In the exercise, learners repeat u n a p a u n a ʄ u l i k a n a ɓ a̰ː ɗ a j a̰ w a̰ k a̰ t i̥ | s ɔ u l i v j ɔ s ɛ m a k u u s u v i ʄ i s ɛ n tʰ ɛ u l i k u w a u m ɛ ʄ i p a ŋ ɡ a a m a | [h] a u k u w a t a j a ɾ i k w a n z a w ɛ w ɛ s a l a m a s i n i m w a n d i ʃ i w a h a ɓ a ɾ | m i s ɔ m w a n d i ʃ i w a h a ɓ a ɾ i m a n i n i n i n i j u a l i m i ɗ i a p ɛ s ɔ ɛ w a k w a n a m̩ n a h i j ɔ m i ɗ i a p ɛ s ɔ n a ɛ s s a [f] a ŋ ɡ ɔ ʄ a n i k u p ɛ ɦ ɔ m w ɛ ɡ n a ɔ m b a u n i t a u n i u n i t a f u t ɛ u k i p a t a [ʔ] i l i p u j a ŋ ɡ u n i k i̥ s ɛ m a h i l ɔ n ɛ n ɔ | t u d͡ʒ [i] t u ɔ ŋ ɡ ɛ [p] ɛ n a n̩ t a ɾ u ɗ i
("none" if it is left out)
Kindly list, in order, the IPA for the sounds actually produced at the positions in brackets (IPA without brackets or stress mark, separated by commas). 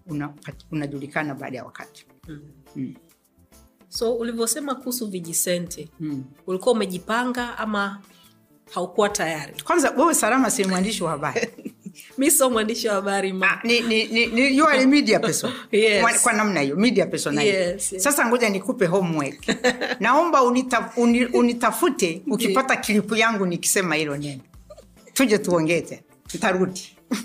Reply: h, s, k, ɛ, t